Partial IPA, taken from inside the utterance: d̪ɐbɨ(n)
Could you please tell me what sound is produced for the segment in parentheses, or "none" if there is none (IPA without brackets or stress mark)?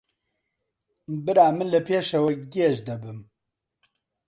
m